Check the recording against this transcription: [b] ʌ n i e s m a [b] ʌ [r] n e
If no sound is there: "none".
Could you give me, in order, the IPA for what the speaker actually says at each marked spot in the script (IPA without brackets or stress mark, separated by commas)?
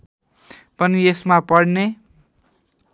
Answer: p, p, ɽ